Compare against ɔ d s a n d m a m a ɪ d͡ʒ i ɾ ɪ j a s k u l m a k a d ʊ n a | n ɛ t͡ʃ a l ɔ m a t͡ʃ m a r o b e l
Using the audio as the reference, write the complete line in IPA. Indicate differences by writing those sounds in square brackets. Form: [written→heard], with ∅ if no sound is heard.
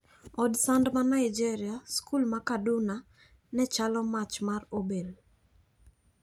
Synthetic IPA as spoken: ɔ d s a n d m a [m→n] a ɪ d͡ʒ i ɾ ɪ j a s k u l m a k a d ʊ n a | n ɛ t͡ʃ a l ɔ m a t͡ʃ m a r o b e l

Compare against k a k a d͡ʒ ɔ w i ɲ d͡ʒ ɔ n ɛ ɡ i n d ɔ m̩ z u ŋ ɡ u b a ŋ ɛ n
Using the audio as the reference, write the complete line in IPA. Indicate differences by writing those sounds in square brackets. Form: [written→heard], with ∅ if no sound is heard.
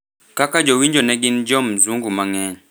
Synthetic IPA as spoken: k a k a d͡ʒ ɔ w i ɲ d͡ʒ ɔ n ɛ ɡ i n [d→d͡ʒ] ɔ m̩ z u ŋ ɡ u [b→m] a ŋ ɛ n

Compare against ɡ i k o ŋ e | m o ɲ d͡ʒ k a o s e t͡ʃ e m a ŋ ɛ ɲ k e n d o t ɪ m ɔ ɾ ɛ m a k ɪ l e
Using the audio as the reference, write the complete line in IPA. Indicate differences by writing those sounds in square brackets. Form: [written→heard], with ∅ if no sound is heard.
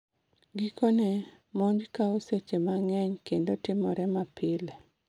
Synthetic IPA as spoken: ɡ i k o [ŋ→n] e | m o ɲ d͡ʒ k a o s e t͡ʃ e m a ŋ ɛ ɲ k e n d o t ɪ m ɔ ɾ ɛ m a [k→p] ɪ l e

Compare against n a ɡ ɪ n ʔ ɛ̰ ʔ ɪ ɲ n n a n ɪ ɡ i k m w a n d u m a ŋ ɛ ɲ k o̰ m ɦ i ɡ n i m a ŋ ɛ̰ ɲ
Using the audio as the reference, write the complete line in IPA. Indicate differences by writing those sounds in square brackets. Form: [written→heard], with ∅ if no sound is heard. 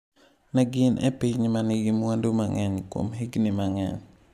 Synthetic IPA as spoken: n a ɡ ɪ n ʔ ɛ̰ [ʔ→p] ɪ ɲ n [n→m] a n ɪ ɡ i [k→∅] m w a n d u m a ŋ ɛ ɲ k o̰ m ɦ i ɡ n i m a ŋ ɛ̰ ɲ

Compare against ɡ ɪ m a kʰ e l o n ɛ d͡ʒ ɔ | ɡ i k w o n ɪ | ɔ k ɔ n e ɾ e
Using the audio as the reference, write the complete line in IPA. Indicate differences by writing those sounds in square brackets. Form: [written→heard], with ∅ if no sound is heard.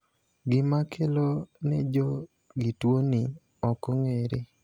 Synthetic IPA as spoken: ɡ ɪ m a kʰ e l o n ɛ d͡ʒ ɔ | ɡ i [k→t] w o n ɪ | ɔ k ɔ [n→ŋ] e ɾ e

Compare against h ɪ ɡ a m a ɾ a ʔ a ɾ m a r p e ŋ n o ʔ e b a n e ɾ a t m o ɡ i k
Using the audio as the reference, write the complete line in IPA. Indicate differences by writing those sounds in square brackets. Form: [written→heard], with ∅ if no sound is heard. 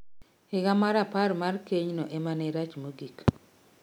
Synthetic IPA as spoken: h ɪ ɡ a m a ɾ a [ʔ→p] a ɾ m a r [p→k] e [ŋ→ɲ] n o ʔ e [b→m] a n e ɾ a [t→t͡ʃ] m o ɡ i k

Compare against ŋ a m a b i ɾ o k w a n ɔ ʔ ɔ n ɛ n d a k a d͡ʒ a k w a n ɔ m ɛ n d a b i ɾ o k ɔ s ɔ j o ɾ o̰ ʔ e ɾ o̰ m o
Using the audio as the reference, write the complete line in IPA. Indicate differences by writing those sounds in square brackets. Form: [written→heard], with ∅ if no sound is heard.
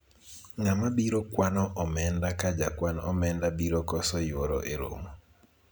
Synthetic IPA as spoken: ŋ a m a b i ɾ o k w a n ɔ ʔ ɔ [n→m] ɛ n d a k a d͡ʒ a k w a n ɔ m ɛ n d a b i ɾ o k ɔ s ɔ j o ɾ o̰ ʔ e ɾ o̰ m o

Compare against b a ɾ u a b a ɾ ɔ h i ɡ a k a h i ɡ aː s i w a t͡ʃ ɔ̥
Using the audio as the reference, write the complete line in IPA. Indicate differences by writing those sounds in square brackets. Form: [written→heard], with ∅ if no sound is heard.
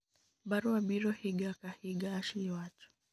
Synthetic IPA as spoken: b a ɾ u a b [a→i] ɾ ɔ h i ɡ a k a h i ɡ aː [s→ʃ] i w a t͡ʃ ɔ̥

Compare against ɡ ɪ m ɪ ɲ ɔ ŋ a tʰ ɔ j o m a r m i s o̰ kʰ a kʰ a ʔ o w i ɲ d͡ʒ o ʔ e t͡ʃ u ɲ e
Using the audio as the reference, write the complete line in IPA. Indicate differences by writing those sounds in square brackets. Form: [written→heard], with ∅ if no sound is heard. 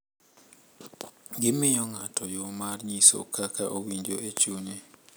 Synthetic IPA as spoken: ɡ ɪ m ɪ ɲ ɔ ŋ a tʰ ɔ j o m a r [m→ɲ] i s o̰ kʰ a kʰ a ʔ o w i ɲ d͡ʒ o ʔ e t͡ʃ u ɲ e

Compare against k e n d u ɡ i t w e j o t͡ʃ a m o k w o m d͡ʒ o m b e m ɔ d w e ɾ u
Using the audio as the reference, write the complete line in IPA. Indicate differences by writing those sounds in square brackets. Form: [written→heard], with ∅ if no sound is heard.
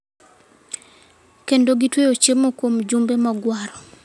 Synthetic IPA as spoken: k e n d [u→o] ɡ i t w e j o t͡ʃ [a→e] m o k w o m d͡ʒ [o→u] m b e m ɔ [d→ɡ] w [e→a] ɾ [u→ɔ]

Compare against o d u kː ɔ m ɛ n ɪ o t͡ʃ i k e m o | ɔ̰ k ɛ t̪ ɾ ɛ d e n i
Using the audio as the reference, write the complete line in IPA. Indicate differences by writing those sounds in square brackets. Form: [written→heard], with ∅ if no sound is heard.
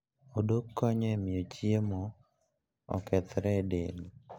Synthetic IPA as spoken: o d [u→o] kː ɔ [m→ɲ] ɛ [n→m] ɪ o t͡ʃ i [k→∅] e m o | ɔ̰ k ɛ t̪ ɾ ɛ d e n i

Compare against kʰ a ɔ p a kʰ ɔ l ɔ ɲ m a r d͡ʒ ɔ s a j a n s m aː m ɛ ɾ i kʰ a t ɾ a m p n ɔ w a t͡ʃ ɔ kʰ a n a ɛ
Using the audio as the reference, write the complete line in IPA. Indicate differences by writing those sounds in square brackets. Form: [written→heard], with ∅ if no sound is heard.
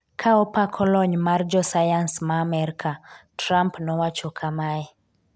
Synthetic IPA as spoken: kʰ a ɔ p a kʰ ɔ l ɔ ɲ m a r d͡ʒ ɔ s a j a n s m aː m ɛ ɾ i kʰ a t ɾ a m p n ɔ w a t͡ʃ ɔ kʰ a [n→m] a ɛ

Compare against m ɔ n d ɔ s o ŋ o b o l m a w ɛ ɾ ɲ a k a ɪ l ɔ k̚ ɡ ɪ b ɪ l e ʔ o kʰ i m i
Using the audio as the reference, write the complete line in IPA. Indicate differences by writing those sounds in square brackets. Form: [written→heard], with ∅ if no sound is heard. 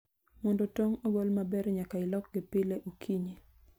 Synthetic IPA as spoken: m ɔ n d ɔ [s→t] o ŋ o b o l m a [w→b] ɛ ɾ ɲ a k a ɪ l ɔ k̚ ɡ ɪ [b→p] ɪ l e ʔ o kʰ i [m→ɲ] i

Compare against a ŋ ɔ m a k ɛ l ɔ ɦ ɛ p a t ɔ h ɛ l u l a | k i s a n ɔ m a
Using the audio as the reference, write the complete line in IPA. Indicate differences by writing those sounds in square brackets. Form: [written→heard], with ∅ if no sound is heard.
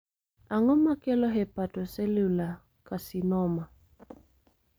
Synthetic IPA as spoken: a ŋ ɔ m a k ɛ l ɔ ɦ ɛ p a t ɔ [h→s] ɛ l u l a | k [i→a] s [a→i] n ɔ m a

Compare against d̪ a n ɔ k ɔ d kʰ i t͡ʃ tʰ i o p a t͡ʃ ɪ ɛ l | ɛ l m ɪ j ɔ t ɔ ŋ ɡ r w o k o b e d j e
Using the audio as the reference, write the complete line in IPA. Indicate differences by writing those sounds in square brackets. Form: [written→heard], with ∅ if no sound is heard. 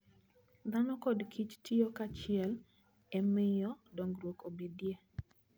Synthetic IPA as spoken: d̪ a n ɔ k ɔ d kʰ i t͡ʃ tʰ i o [p→k] a t͡ʃ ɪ ɛ l | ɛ [l→∅] m ɪ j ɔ [t→d] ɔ ŋ ɡ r w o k o b e d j e

